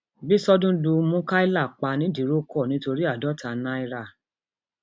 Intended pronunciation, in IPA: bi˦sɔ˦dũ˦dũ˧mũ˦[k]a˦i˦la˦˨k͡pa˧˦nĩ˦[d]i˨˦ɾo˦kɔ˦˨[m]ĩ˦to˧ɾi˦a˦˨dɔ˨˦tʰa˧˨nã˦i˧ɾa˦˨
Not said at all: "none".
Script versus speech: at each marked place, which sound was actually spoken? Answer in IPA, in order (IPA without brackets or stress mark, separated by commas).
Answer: k, d, n